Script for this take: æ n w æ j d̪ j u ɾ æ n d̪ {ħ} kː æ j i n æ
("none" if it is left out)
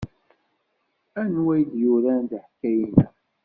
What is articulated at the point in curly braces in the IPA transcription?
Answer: ħ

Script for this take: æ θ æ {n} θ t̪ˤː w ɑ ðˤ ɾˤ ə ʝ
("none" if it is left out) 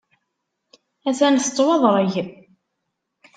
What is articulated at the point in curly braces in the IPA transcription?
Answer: n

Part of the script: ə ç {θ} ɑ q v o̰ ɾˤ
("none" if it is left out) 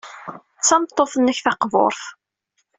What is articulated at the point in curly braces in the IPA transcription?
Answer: θ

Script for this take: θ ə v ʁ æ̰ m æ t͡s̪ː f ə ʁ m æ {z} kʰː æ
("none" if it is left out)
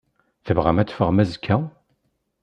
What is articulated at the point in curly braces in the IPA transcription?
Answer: z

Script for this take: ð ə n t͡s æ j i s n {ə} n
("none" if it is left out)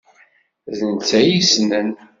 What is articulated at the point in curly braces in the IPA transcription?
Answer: ə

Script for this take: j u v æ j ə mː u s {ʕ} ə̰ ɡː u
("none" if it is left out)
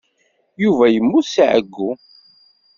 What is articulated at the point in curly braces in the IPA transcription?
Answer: ʕ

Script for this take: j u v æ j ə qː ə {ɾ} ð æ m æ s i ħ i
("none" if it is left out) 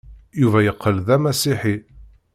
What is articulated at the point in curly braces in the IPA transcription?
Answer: l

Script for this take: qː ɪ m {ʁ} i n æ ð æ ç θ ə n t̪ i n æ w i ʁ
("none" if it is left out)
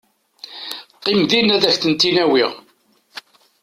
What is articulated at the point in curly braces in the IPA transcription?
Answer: ð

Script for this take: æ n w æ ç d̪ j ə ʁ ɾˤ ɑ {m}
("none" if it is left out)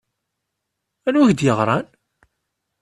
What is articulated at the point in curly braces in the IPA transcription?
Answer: n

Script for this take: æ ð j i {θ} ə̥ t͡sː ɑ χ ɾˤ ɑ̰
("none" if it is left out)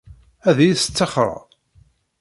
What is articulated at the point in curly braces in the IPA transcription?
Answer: s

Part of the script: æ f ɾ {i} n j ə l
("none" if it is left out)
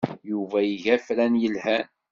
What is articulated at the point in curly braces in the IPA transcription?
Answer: æ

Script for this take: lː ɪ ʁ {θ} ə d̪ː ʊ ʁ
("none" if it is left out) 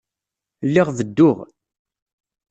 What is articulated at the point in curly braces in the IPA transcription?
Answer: ð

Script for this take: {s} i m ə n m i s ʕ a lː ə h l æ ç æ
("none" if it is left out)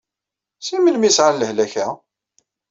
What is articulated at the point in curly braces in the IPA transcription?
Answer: s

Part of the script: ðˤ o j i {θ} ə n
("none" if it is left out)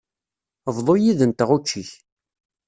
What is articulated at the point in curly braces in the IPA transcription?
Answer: ð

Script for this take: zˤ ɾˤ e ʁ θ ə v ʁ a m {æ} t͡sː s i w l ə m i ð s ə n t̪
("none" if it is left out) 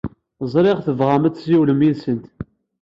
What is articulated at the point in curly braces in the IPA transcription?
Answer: æ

